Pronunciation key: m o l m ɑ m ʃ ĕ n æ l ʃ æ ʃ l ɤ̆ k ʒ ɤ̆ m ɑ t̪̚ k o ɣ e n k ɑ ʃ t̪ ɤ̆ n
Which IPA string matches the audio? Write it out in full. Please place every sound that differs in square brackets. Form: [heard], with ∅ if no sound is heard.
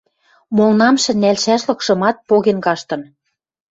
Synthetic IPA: m o l [n] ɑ m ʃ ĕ n æ l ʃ æ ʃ l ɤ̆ k [ʃ] ɤ̆ m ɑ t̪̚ [p] o ɣ e n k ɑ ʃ t̪ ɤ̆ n